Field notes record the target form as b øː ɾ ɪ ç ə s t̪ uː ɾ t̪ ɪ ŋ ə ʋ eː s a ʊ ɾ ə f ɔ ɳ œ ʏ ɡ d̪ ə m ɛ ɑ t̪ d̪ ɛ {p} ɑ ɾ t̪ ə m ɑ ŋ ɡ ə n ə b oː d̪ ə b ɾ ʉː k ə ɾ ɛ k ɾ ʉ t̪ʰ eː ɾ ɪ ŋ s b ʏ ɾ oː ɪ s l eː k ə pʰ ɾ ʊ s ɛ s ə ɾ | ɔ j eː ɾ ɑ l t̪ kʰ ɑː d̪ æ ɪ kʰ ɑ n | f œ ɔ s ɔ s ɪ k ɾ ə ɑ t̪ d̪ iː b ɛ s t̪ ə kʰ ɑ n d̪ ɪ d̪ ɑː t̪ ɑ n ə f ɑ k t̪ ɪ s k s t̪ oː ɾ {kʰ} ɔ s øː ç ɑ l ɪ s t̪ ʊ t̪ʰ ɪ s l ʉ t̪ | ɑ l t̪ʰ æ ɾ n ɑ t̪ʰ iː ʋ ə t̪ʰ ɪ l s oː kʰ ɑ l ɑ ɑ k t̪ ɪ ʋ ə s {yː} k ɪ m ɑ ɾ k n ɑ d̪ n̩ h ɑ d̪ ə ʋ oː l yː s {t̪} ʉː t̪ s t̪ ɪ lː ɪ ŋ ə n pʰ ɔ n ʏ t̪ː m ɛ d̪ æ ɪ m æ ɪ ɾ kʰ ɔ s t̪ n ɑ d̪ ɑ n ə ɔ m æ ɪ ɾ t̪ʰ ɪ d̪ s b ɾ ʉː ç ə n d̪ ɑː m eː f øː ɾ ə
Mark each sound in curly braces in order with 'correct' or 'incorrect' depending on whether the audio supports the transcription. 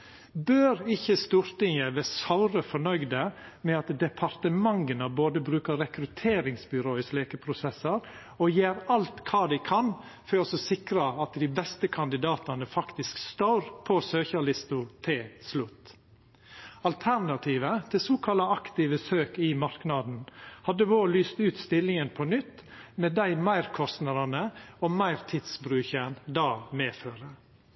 incorrect, incorrect, incorrect, correct

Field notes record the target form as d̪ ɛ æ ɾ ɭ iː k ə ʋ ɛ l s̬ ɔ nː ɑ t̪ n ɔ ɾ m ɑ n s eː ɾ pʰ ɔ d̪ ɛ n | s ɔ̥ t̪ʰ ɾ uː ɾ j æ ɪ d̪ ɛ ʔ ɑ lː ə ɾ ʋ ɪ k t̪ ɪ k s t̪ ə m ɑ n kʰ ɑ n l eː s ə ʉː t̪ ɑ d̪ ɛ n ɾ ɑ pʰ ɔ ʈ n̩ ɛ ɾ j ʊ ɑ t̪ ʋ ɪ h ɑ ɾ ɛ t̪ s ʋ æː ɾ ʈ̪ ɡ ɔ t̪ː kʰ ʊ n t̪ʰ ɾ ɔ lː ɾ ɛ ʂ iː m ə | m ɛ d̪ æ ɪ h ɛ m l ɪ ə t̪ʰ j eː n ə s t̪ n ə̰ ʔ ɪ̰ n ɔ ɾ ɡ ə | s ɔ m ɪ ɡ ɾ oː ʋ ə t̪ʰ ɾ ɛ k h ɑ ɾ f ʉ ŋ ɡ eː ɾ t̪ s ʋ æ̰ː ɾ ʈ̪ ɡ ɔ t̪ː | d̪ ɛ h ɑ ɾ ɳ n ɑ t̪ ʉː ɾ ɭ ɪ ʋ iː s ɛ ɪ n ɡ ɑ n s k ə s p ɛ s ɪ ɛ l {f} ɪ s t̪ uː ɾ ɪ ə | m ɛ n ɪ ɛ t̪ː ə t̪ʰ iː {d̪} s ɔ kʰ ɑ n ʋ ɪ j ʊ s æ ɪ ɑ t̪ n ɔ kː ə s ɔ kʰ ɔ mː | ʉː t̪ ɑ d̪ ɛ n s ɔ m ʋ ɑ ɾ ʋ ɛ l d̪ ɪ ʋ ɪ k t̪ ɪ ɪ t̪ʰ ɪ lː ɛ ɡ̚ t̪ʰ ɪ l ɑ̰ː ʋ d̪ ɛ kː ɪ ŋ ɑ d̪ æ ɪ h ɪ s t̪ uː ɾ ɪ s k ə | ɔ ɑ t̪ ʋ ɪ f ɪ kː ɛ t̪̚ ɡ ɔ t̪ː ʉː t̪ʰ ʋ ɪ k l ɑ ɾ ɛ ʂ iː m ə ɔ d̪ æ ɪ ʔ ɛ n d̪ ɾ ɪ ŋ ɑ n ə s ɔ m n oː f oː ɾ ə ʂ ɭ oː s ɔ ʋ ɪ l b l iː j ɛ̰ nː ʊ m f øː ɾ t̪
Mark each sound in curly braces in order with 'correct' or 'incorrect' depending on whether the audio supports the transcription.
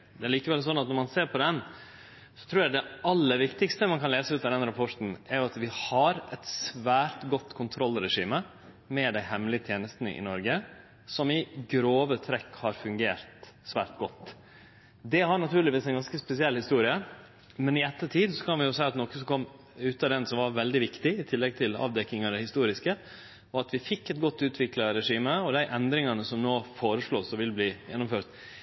incorrect, correct

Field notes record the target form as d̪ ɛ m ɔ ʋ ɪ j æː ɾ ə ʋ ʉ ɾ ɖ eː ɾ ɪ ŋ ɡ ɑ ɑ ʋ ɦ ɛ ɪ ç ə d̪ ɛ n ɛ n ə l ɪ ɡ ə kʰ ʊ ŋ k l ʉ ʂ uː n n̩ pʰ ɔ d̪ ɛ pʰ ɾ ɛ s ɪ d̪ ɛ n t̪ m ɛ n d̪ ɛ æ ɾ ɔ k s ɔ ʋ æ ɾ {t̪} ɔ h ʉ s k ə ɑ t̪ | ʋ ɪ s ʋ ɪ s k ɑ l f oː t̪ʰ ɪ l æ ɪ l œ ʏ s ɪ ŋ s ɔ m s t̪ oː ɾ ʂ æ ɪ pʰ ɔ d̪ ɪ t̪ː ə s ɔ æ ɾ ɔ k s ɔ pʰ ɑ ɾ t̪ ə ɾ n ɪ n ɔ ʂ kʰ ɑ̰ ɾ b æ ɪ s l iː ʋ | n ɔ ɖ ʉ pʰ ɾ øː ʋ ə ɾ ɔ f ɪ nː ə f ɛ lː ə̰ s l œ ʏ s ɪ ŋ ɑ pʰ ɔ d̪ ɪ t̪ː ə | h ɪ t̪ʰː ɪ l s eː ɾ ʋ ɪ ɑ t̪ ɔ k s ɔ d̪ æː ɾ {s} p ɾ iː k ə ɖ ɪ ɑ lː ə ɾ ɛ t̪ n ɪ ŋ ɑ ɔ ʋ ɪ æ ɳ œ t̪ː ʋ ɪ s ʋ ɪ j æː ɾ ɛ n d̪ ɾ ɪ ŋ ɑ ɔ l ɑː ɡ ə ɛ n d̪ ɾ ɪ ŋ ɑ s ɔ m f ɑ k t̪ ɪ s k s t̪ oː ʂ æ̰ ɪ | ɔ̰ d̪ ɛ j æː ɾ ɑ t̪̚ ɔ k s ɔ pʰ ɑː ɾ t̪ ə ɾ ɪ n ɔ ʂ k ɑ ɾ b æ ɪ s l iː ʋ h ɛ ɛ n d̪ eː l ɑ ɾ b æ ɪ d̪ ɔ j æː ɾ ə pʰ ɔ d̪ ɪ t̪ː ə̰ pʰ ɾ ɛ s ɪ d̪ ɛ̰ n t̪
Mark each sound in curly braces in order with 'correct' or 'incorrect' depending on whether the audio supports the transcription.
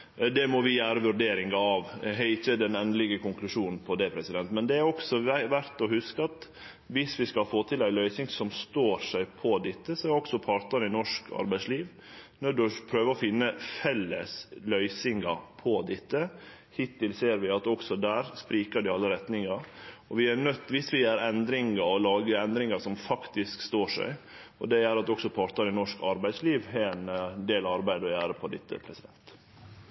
correct, correct

